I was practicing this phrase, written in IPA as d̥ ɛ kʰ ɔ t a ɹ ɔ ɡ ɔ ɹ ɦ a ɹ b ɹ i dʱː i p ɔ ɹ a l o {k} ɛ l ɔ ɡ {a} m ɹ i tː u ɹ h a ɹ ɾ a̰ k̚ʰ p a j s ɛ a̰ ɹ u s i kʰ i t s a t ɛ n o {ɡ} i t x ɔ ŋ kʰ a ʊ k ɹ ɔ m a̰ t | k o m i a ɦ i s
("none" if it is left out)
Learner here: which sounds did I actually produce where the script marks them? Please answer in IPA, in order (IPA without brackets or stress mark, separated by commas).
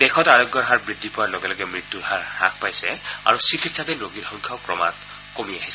ɡ, ɛ, ɡ